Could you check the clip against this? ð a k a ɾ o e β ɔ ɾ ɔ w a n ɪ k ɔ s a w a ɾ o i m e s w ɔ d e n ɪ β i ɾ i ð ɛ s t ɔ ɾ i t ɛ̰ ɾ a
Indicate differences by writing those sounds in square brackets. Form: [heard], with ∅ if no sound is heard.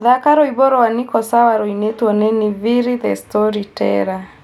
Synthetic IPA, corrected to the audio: ð a k a ɾ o [i] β ɔ ɾ ɔ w a n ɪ k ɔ s a w a ɾ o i [n] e [t] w ɔ [n] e n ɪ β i ɾ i ð ɛ s t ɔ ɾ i t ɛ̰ ɾ a